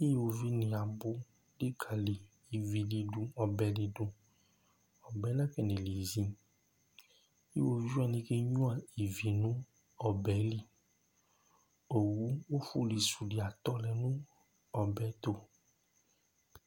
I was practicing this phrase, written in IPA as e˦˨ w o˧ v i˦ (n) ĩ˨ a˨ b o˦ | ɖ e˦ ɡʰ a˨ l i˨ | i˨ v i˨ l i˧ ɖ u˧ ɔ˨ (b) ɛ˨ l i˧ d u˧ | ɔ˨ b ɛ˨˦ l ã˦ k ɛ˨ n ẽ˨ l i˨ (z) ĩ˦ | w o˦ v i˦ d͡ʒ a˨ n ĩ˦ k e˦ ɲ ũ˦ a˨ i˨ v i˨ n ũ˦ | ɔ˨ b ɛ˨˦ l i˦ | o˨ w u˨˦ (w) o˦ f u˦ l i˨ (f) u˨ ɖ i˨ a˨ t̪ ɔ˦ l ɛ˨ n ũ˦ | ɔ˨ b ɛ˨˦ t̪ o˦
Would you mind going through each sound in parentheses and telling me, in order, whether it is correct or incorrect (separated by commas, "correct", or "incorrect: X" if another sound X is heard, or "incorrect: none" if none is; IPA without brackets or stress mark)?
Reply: correct, correct, correct, correct, incorrect: s